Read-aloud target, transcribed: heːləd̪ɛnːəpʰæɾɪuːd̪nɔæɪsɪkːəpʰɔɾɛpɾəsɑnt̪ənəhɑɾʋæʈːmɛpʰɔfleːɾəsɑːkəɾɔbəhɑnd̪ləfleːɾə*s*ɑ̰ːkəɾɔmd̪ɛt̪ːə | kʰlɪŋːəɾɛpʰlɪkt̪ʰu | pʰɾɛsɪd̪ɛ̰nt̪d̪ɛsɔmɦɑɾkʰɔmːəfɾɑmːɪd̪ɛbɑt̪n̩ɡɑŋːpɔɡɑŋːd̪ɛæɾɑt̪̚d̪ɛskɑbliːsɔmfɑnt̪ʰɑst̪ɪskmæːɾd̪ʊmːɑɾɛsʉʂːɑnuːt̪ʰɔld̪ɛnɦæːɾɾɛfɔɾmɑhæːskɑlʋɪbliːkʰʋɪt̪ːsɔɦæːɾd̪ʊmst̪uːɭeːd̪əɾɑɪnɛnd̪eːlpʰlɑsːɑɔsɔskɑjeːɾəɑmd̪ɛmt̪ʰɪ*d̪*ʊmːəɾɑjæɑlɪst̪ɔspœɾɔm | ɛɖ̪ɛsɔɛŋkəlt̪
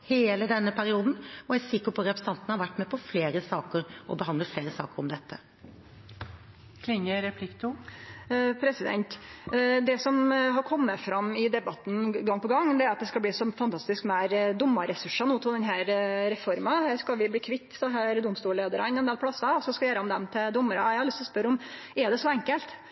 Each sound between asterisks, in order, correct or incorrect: correct, correct

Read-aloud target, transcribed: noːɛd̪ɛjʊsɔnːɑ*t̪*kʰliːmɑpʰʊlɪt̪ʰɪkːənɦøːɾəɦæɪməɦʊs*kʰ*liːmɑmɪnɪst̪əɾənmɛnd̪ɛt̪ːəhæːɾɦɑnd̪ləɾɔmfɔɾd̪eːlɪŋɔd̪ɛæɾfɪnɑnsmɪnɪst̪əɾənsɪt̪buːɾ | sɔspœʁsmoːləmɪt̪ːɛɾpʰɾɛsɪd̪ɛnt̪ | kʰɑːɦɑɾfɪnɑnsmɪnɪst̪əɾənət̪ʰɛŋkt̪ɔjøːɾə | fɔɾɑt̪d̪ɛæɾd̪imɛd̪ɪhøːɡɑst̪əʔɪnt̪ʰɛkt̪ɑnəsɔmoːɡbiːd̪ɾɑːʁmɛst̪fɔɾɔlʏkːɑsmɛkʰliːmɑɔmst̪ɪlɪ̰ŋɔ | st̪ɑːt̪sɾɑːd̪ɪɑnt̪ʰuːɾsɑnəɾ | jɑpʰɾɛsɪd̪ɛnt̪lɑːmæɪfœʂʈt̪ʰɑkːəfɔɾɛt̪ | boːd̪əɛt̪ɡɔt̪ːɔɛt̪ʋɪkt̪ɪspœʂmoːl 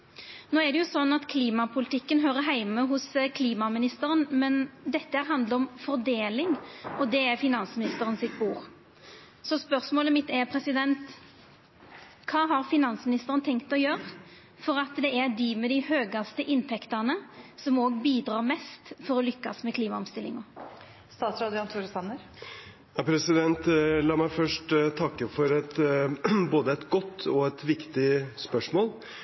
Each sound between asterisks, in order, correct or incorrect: correct, correct

